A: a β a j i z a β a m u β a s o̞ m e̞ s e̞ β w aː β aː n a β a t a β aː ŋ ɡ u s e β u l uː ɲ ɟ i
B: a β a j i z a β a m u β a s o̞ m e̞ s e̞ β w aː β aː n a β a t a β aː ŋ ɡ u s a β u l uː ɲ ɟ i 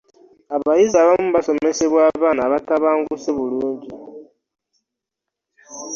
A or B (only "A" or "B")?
A